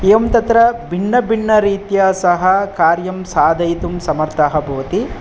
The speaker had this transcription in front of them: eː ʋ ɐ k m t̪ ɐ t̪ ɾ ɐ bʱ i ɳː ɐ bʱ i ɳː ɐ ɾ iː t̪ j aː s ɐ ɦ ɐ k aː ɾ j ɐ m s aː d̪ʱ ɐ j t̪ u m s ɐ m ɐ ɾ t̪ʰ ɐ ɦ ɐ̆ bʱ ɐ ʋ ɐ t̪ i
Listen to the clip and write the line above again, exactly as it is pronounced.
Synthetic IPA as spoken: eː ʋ ɐ m t̪ ɐ t̪ ɾ ɐ bʱ i ɳː ɐ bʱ i ɳː ɐ ɾ iː t̪ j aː s ɐ ɦ ɐ k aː ɾ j ɐ m s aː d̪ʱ ɐ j t̪ u m s ɐ m ɐ ɾ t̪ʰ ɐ ɦ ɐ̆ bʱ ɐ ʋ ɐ t̪ i